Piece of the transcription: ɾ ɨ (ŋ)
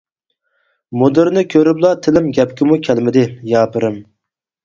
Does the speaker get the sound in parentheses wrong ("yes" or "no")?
yes